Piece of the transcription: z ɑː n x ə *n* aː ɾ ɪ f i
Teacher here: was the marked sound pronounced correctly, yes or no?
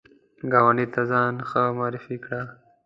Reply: no